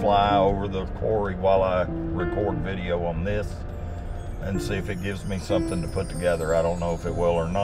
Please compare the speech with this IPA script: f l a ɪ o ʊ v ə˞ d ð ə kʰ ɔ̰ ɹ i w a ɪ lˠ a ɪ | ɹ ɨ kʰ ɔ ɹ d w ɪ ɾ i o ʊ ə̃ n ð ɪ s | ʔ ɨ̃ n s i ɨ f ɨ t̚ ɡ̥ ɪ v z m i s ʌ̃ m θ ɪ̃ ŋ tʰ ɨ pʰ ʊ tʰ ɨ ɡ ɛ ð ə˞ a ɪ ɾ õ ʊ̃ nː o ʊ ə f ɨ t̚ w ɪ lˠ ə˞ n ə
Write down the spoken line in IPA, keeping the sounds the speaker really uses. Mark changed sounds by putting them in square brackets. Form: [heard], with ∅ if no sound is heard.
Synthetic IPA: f l a ɪ o ʊ v ə˞ [∅] ð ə kʰ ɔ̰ ɹ i w a ɪ lˠ a ɪ | ɹ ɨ kʰ ɔ ɹ d [v] ɪ ɾ i o ʊ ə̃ n ð ɪ s | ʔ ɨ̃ n s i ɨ f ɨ t̚ ɡ̥ ɪ v z m i s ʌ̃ m θ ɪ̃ ŋ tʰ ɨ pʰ ʊ tʰ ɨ ɡ ɛ ð ə˞ a ɪ ɾ õ ʊ̃ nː o ʊ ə f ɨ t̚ w ɪ lˠ ə˞ n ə